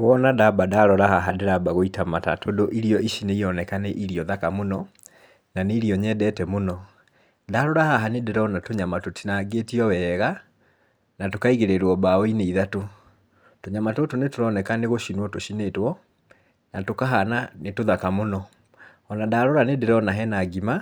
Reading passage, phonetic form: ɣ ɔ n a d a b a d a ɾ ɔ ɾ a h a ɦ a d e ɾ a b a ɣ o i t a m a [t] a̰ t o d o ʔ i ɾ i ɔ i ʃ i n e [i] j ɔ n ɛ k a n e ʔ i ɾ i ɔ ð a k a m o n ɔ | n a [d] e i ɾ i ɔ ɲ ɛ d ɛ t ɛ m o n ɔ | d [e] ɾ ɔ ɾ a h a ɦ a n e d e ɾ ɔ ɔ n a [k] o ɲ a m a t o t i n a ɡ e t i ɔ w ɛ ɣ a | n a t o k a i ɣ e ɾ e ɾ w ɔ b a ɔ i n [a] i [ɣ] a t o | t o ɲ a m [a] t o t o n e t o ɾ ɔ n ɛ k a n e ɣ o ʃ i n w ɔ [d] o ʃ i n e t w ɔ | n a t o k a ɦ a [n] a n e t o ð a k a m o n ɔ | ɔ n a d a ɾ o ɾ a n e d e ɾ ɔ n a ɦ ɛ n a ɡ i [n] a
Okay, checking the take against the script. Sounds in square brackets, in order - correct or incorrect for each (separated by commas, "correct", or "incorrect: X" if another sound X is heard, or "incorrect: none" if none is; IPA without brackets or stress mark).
correct, correct, incorrect: n, incorrect: a, incorrect: t, incorrect: e, incorrect: ð, correct, incorrect: t, correct, incorrect: m